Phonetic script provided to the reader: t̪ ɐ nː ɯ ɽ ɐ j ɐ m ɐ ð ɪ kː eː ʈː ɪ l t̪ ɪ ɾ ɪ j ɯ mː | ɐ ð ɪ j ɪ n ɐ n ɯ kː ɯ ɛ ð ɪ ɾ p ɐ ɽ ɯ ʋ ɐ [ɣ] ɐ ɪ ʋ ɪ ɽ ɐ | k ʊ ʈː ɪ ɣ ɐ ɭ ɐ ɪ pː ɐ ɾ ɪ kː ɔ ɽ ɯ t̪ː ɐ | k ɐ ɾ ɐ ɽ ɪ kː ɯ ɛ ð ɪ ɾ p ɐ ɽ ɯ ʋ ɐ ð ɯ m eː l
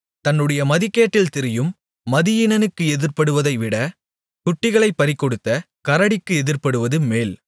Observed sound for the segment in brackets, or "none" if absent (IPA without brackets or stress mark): ð